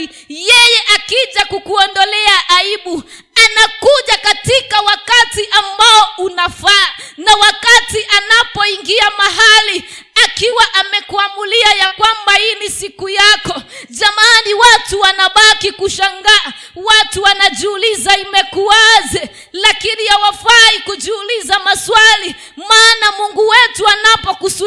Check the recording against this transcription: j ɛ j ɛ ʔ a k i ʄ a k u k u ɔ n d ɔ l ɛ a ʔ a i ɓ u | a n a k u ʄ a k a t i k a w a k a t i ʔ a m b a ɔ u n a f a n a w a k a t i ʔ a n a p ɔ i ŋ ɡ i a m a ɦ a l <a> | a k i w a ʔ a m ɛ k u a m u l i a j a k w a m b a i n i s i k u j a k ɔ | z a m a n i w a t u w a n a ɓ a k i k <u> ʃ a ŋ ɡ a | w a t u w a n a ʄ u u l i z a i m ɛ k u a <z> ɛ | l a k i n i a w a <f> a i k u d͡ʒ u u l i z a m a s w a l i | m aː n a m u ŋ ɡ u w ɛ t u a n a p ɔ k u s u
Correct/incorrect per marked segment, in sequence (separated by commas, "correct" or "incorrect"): incorrect, correct, correct, correct